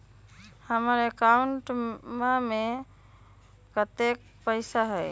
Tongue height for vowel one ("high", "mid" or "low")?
mid